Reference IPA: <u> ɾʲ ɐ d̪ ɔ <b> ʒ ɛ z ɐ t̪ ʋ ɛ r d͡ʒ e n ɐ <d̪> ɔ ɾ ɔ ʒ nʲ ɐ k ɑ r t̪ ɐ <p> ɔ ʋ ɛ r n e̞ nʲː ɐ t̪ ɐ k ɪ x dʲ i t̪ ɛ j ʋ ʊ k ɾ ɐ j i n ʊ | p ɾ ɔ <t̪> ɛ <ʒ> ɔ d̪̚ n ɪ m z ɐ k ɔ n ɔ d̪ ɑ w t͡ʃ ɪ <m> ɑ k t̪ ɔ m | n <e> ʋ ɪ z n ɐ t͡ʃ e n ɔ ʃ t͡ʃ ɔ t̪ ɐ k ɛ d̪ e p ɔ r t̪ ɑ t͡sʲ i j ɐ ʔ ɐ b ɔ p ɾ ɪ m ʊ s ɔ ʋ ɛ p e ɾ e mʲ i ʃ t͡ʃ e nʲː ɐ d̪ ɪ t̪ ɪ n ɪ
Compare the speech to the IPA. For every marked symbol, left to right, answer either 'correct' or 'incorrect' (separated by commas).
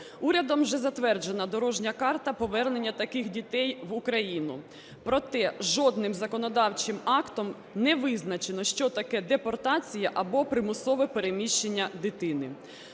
correct, incorrect, correct, correct, correct, correct, correct, incorrect